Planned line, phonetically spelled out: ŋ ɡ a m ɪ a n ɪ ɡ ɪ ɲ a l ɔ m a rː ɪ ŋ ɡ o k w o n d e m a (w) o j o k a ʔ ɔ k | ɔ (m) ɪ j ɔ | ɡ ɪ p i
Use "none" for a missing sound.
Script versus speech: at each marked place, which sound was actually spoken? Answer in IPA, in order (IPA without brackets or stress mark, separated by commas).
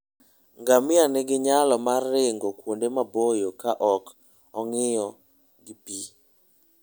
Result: b, ŋ